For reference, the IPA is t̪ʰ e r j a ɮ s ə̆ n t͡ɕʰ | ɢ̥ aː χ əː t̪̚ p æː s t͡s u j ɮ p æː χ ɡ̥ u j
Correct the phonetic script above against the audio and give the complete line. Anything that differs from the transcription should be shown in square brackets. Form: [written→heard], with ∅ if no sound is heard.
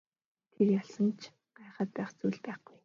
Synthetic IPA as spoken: t̪ʰ e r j a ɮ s ə̆ n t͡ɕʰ | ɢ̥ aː χ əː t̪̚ p æː [s→χ] t͡s u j ɮ p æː χ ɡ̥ u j